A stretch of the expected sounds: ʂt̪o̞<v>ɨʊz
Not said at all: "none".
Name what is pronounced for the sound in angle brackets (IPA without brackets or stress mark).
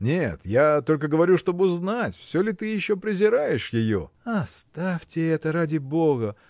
b